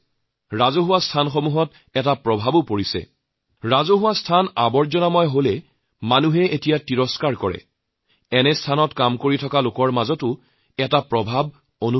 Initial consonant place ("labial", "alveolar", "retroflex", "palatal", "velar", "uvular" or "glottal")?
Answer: alveolar